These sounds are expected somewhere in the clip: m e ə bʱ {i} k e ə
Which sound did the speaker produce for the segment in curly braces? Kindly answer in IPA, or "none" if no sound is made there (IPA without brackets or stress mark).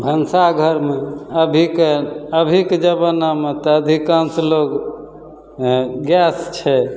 i